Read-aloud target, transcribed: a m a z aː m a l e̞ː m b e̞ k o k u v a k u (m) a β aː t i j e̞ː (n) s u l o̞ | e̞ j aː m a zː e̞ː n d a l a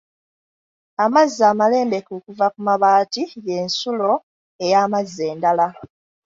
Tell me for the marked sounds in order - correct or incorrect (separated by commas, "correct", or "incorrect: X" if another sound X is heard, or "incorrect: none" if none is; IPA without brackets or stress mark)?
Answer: correct, correct